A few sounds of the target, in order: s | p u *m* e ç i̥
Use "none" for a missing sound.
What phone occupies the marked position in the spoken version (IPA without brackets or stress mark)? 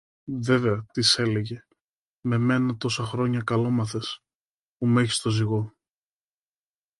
m